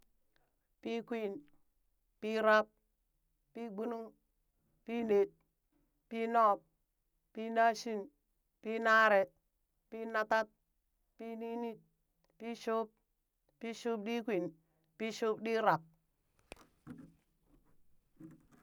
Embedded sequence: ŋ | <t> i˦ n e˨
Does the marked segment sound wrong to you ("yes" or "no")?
yes